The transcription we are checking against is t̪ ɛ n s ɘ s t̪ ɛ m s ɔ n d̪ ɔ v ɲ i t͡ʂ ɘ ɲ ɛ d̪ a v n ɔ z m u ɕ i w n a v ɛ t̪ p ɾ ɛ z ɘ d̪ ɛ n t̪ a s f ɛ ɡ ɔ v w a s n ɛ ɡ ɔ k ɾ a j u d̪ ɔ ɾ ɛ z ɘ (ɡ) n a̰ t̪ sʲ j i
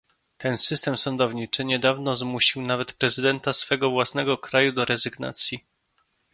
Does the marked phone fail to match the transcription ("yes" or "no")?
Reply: no